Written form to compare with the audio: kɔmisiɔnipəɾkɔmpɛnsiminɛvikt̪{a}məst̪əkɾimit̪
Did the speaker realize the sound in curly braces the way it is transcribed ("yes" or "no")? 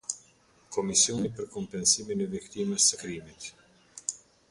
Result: no